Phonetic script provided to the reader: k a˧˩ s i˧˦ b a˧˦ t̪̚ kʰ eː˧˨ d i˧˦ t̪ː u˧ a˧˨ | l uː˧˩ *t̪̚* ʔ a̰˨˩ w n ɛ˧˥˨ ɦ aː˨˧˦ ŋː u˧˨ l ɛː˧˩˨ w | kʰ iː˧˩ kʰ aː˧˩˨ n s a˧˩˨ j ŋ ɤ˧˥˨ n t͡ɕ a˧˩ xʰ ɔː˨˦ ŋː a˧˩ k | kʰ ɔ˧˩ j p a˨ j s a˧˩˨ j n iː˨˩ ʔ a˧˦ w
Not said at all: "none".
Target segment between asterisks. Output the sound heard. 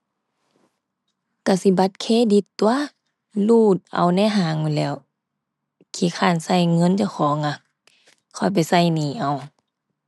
t̪̚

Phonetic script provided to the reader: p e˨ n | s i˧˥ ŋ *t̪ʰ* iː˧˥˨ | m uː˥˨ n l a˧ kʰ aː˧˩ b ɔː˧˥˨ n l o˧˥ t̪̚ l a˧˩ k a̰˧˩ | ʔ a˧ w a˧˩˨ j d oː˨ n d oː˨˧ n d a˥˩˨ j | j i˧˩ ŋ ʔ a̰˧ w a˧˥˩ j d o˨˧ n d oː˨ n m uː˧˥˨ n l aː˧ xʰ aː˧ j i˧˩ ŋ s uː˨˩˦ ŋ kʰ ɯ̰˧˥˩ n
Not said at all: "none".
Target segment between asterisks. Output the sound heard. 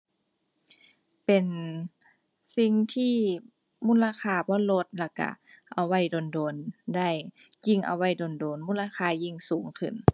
t̪ʰ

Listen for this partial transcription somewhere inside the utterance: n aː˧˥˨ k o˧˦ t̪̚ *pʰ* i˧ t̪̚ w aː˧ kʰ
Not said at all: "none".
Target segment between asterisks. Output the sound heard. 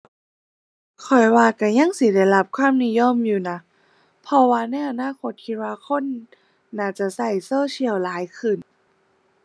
kʰ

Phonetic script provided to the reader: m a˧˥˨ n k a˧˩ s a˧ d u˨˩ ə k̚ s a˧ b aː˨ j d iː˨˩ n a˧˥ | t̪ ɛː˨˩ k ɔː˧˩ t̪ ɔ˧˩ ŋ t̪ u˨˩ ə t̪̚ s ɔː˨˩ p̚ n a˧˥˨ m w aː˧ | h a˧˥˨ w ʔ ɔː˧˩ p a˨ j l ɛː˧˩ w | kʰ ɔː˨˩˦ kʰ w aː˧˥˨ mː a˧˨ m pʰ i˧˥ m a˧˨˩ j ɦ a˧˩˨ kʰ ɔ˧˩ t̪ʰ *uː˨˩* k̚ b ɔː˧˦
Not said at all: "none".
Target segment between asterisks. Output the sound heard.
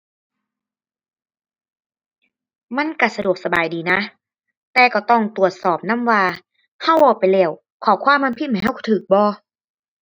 ɯː˨˩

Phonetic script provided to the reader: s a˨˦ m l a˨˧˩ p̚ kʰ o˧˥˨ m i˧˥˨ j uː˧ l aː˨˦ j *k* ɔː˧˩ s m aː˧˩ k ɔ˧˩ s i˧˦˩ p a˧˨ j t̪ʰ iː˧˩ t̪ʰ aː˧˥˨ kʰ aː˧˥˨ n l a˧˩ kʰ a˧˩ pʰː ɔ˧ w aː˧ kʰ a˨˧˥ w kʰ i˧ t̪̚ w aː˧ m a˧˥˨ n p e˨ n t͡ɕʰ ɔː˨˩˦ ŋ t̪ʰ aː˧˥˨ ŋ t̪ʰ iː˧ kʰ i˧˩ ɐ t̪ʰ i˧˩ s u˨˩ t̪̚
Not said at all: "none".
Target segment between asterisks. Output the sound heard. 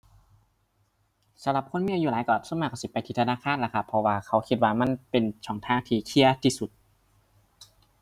k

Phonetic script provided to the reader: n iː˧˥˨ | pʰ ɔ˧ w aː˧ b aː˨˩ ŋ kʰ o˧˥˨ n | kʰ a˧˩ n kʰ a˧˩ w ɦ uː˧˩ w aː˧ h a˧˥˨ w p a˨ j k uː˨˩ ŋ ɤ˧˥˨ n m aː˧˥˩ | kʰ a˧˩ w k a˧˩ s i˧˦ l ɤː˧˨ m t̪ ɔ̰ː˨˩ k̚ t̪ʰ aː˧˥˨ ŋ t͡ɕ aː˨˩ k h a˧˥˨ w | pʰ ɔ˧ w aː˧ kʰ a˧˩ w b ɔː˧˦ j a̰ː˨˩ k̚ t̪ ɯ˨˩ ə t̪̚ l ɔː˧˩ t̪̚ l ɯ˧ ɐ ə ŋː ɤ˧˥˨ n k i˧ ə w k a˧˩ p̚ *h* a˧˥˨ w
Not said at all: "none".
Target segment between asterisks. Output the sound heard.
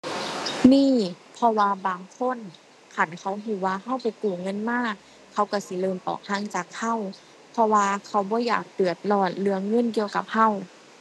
h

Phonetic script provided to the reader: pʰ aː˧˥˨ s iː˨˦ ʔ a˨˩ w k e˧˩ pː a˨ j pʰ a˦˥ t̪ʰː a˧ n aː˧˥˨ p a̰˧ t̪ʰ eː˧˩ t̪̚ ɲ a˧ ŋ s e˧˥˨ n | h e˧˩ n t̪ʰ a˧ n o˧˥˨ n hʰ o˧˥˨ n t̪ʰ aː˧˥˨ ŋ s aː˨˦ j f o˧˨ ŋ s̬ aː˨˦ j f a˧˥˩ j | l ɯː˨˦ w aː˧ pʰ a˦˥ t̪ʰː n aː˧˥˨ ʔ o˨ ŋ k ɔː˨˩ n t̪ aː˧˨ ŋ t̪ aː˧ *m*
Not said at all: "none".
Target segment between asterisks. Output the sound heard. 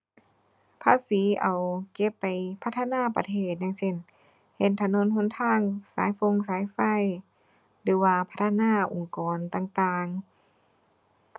ŋ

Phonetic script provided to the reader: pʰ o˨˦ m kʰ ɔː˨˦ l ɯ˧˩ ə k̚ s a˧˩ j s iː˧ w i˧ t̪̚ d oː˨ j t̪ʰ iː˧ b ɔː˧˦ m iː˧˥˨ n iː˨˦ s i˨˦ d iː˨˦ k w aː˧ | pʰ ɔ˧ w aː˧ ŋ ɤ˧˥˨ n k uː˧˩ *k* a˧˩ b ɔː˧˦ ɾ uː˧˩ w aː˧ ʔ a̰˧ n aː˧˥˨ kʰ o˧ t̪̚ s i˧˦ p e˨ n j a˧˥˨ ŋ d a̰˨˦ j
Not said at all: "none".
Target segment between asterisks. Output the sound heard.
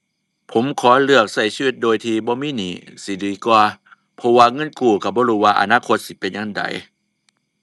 k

